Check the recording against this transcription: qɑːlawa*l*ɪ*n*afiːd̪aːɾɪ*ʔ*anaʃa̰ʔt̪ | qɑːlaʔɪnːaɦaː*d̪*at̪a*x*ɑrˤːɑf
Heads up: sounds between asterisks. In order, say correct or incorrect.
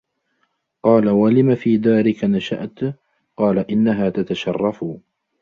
correct, incorrect, incorrect, incorrect, incorrect

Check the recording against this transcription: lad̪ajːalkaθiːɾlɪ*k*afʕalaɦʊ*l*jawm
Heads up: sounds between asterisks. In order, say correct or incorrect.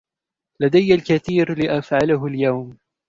incorrect, correct

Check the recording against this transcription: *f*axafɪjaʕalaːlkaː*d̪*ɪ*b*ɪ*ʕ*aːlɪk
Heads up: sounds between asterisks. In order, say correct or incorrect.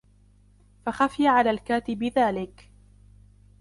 correct, incorrect, correct, incorrect

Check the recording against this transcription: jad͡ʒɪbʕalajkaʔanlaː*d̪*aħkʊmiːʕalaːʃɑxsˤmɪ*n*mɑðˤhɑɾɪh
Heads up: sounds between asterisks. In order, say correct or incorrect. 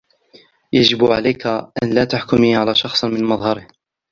incorrect, correct

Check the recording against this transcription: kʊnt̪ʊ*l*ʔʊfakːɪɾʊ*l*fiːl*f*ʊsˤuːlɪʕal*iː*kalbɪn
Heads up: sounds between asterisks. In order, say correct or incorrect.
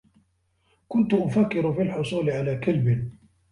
incorrect, incorrect, incorrect, incorrect

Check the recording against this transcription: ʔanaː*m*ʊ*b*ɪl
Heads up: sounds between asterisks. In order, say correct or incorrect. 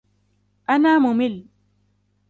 correct, incorrect

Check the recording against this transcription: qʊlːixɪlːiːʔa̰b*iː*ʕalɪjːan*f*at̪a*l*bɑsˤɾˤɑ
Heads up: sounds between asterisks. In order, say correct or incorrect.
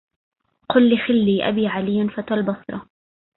correct, correct, correct

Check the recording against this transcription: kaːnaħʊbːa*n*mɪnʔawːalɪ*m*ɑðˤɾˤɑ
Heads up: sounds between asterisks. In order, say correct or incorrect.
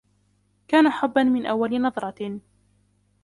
correct, incorrect

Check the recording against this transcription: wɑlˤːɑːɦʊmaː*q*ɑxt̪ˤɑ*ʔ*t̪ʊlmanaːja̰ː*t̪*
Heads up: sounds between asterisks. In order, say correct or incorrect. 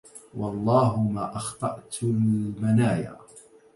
incorrect, correct, incorrect

